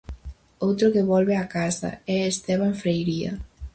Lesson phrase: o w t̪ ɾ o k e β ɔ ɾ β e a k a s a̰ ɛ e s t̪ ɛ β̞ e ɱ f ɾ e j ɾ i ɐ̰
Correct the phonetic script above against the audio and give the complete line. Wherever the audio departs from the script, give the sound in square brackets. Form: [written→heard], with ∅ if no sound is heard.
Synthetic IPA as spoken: o w t̪ ɾ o k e β ɔ [ɾ→l] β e a k a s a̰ ɛ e s t̪ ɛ β̞ [e→a] ɱ f ɾ e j ɾ i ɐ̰